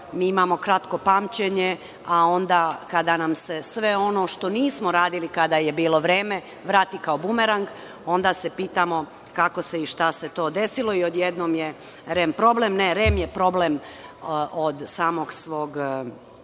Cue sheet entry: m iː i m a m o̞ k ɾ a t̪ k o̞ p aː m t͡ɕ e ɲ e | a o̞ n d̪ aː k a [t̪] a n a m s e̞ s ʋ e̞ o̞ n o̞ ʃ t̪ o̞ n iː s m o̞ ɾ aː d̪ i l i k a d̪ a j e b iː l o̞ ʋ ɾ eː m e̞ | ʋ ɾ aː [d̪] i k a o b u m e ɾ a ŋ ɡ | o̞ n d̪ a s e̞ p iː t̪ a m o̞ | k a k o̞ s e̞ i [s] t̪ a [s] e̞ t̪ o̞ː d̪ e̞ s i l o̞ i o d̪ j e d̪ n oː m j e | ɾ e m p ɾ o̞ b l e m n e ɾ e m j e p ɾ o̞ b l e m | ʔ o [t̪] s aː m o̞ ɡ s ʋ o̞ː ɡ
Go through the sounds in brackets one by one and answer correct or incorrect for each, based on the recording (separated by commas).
incorrect, incorrect, incorrect, correct, incorrect